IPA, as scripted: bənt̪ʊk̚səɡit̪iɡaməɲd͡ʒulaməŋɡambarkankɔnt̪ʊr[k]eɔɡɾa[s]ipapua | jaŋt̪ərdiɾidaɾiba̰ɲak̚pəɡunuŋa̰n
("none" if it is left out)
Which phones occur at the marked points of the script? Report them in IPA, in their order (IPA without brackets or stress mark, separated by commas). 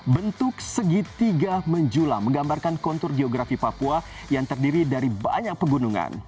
ɡ, f